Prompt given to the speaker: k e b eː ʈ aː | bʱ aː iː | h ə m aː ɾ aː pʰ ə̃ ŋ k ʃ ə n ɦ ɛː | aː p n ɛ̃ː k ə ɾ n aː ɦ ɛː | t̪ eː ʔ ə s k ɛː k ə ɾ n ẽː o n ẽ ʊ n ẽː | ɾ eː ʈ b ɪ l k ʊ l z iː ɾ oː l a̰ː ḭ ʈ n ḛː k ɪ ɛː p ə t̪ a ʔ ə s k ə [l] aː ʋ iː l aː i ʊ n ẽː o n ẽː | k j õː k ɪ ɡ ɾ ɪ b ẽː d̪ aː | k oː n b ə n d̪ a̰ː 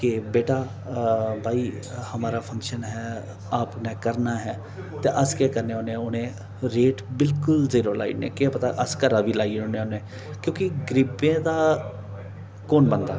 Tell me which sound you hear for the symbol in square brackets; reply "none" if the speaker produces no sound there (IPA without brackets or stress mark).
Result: ɾ